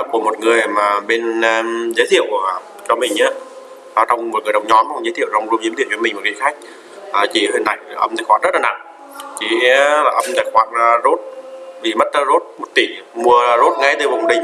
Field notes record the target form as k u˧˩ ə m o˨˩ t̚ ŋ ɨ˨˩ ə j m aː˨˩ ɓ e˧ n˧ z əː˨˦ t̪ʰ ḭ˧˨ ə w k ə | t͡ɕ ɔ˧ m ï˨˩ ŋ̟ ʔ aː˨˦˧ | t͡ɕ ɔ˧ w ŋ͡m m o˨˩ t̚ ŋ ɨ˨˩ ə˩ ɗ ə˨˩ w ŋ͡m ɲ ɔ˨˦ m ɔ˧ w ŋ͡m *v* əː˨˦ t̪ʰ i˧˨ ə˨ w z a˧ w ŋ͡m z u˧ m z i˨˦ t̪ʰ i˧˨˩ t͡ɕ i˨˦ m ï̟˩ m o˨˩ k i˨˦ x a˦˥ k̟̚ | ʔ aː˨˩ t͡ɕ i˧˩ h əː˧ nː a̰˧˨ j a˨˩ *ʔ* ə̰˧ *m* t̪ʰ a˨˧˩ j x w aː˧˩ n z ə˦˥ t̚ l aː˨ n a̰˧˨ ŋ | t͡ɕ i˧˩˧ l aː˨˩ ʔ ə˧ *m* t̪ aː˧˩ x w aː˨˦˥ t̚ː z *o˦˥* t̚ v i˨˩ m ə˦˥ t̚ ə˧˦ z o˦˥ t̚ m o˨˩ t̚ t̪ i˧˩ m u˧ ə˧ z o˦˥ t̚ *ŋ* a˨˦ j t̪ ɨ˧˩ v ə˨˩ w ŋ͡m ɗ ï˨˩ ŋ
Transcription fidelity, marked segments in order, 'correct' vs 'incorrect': incorrect: z, correct, correct, correct, correct, correct

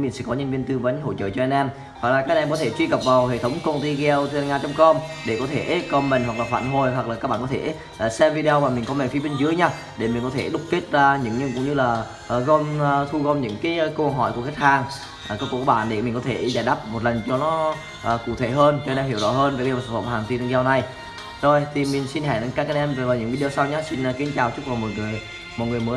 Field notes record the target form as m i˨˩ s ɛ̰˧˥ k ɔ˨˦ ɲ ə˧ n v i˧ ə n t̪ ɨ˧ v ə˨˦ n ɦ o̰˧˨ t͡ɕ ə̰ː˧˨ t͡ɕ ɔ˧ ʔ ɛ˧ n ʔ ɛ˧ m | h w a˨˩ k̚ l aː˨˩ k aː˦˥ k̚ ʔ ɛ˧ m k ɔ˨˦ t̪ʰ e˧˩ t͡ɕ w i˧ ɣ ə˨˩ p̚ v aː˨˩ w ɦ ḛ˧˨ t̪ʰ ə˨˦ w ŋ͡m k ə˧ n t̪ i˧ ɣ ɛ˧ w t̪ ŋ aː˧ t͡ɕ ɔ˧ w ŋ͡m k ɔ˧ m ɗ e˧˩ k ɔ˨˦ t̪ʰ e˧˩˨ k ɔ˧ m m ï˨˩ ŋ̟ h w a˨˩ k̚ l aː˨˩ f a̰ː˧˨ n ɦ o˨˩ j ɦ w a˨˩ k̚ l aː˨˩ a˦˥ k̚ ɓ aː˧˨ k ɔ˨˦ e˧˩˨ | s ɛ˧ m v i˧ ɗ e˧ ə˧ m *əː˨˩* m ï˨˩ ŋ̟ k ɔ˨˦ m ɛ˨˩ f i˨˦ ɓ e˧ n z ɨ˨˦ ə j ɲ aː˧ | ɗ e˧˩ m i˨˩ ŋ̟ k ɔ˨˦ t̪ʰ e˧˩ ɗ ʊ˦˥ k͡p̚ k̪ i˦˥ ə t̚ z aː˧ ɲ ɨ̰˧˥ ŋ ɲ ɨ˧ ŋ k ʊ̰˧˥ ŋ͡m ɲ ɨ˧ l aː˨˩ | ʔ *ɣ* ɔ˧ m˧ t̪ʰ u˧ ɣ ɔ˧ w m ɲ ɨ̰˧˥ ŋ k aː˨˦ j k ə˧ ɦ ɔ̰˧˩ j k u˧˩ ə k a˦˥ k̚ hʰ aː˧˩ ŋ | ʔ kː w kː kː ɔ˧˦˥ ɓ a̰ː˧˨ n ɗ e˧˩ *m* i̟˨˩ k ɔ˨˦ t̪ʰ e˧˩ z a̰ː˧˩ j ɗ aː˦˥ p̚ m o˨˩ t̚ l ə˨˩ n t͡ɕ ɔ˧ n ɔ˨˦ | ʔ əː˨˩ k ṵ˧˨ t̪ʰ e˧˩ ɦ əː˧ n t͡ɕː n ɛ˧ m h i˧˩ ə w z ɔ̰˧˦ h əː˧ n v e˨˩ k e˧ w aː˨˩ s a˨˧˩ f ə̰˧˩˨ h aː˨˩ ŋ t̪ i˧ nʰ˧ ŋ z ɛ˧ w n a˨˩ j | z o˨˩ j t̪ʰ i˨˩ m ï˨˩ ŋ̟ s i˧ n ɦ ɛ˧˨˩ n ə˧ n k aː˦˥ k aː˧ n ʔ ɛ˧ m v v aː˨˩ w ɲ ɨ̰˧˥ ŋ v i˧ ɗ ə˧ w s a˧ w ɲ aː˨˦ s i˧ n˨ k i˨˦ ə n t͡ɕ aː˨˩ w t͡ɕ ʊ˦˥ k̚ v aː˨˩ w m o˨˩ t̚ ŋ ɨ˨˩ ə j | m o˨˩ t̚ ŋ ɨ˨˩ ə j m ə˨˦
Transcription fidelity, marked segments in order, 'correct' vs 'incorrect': incorrect: aː˨˩, correct, correct

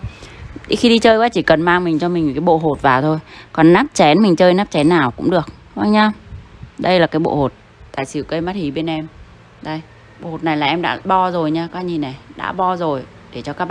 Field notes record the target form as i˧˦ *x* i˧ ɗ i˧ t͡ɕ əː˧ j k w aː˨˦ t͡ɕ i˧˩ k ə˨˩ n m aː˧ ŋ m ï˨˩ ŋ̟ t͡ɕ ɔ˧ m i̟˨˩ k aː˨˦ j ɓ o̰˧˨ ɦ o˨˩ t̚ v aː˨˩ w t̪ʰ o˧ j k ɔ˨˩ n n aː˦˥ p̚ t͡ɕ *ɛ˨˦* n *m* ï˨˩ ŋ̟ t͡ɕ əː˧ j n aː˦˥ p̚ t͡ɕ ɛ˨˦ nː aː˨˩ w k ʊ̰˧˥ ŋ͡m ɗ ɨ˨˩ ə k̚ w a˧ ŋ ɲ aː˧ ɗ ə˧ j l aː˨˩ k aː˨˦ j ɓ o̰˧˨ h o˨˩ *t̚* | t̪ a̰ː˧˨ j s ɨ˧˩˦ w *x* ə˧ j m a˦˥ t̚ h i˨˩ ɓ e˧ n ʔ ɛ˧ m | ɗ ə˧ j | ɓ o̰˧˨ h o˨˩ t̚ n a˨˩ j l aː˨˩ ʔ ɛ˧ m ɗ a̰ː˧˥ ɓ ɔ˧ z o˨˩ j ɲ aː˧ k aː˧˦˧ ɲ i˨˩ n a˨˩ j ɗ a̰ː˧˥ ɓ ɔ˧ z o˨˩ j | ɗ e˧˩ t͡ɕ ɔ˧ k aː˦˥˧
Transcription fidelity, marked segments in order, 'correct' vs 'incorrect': correct, correct, correct, correct, incorrect: k

